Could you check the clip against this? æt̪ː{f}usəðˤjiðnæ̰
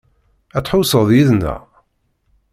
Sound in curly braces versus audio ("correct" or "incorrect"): incorrect